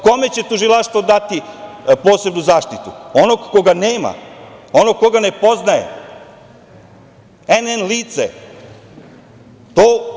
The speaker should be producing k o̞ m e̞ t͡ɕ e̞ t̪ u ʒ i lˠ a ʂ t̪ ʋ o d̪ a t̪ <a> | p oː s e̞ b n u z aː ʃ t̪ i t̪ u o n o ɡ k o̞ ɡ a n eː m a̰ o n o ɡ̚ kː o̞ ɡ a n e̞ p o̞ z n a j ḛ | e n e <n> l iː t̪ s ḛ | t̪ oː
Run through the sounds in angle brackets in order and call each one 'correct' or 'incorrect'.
incorrect, correct

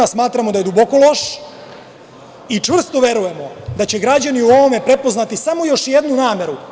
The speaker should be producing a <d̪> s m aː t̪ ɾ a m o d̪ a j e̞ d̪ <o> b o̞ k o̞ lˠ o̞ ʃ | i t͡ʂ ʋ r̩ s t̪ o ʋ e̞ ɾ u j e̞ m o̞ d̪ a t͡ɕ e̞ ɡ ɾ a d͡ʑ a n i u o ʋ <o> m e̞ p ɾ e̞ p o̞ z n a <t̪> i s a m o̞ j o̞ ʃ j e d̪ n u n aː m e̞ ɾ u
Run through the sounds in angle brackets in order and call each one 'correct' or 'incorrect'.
incorrect, incorrect, correct, correct

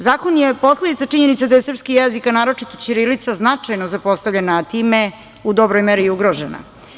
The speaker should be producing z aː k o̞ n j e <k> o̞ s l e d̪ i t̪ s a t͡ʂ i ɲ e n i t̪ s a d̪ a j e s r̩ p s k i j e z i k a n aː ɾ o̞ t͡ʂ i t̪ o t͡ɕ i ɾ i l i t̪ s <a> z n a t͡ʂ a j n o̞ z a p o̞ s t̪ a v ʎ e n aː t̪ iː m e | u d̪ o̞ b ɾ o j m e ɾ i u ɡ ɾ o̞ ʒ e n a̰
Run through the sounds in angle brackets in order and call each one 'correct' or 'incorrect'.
incorrect, correct

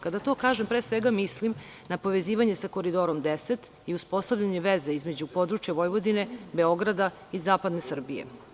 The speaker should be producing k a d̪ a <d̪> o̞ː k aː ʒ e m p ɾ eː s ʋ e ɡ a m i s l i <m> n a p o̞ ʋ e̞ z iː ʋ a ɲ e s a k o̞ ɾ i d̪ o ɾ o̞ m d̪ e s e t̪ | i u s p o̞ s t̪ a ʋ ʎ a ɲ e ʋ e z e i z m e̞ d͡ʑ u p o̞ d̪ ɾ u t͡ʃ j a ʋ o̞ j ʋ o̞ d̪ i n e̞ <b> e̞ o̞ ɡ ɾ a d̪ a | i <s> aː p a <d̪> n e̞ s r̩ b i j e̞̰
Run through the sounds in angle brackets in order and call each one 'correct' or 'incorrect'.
incorrect, correct, correct, incorrect, correct

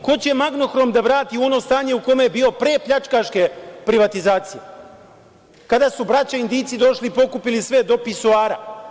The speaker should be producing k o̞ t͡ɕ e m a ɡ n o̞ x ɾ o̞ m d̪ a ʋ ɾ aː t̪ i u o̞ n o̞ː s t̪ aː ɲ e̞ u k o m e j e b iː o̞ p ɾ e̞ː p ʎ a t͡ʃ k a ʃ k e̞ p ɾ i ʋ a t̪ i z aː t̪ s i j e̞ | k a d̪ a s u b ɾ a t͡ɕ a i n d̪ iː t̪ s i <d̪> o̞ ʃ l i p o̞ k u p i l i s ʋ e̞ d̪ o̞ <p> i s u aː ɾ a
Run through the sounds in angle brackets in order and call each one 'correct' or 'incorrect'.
correct, correct

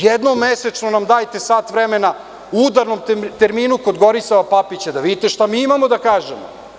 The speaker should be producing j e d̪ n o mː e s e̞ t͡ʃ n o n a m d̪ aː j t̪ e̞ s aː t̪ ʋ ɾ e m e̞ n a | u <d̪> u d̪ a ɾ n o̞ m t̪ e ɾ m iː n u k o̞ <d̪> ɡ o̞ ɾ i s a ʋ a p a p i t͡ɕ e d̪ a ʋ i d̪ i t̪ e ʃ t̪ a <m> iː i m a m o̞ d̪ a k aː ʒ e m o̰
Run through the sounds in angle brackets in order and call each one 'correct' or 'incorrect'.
incorrect, correct, correct

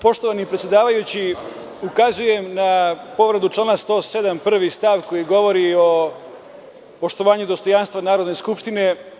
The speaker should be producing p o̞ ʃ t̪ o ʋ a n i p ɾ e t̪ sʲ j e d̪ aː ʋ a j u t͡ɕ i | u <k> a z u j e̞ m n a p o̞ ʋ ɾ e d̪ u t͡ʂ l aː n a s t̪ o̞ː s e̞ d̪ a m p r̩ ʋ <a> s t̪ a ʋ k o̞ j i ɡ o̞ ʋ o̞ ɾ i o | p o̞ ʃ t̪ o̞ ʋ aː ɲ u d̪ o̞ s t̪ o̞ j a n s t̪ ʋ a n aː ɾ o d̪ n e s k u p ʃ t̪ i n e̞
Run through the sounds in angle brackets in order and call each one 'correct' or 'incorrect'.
correct, incorrect

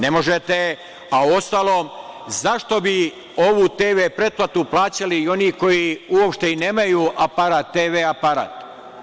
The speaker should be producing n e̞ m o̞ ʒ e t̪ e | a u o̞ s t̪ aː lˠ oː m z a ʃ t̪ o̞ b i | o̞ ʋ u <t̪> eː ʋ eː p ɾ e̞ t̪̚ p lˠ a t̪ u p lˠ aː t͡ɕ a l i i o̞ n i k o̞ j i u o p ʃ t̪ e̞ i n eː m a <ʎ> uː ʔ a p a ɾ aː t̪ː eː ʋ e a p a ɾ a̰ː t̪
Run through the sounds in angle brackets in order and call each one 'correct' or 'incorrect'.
correct, incorrect

